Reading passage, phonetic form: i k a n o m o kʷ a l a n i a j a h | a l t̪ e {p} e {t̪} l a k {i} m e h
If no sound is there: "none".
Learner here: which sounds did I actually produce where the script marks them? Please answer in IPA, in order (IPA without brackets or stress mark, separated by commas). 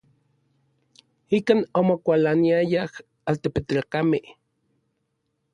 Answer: p, t̪, a